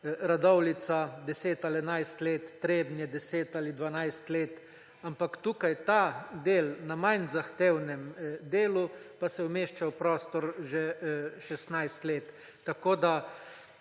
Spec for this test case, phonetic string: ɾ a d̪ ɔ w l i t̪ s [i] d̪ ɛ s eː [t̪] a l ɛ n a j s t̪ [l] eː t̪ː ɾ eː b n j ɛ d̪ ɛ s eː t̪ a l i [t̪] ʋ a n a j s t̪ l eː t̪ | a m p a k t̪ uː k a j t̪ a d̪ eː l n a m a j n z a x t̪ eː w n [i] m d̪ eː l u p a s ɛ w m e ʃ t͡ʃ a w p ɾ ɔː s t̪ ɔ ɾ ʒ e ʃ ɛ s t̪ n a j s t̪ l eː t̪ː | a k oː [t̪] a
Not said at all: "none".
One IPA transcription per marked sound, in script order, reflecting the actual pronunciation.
a, t̪, l, d̪, ɛ, d̪

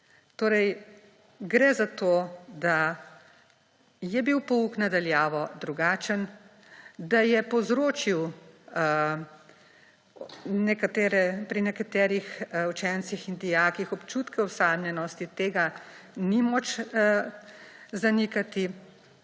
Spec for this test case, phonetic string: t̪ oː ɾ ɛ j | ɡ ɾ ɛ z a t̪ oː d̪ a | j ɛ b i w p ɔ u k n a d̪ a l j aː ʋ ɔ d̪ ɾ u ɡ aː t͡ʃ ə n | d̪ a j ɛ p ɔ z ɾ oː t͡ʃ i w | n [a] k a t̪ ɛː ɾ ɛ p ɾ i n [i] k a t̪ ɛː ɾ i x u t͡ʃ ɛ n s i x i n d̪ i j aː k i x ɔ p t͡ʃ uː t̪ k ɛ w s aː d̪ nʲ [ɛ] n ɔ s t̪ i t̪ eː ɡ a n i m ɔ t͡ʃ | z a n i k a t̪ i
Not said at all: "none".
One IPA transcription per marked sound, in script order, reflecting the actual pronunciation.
ɛ, ɛ, ɛ

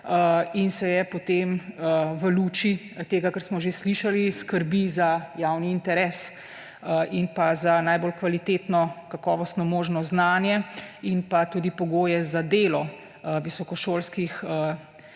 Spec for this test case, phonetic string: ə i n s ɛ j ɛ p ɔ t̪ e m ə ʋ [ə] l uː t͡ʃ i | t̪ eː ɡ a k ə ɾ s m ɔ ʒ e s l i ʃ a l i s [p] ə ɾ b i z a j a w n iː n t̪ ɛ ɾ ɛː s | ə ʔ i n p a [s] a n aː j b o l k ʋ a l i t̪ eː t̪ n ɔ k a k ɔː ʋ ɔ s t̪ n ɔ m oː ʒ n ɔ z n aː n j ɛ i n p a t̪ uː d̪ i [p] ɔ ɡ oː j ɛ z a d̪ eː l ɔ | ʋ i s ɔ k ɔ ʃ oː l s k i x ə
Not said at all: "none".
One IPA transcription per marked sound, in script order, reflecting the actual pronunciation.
ə, k, z, p

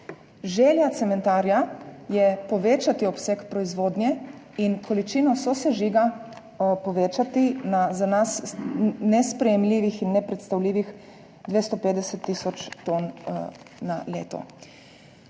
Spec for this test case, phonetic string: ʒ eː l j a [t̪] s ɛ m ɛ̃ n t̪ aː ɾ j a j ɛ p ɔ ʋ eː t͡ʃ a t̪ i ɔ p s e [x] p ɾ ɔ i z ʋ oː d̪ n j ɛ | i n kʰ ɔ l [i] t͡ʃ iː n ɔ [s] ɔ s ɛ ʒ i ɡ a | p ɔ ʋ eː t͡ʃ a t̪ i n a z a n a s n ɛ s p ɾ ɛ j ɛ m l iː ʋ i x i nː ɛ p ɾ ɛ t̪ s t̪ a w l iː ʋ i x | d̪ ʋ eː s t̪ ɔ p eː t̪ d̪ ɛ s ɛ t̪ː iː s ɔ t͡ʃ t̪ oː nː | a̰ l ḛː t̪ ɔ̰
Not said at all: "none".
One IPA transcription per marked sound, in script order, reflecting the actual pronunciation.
t̪, k, i, s

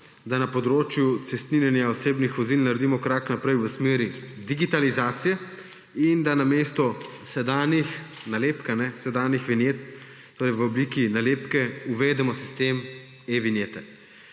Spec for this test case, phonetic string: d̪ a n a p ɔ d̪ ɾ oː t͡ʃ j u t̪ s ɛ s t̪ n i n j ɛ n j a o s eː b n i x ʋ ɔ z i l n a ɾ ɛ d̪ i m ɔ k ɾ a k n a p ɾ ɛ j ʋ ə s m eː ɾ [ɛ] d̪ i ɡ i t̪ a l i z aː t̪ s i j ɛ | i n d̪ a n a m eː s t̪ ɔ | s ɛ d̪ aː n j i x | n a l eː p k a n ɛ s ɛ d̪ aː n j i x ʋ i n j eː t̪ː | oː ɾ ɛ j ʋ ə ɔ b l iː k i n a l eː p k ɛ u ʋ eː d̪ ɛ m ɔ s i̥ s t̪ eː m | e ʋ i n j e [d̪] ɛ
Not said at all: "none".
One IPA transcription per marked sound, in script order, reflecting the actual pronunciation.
i, t̪

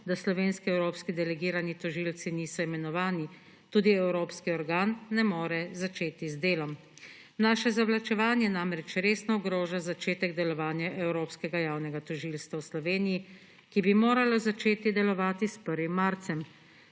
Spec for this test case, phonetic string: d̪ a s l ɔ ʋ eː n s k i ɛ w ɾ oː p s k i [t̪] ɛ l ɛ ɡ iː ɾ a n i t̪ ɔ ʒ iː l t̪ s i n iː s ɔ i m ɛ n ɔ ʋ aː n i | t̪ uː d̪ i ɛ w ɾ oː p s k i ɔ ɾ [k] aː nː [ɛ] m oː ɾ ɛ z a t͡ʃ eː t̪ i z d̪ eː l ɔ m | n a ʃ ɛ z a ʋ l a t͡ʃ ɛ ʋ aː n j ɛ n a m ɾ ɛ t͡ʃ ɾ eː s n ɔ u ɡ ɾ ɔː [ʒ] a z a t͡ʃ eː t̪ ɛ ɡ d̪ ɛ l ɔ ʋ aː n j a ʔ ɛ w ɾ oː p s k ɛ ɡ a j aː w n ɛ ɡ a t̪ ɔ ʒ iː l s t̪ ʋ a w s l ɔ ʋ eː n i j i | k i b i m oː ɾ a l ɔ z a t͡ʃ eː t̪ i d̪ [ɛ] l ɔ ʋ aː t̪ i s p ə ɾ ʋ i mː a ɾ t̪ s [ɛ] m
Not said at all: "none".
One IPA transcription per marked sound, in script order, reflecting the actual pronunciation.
d̪, ɡ, ɛ, ʒ, ɛ, ɛ

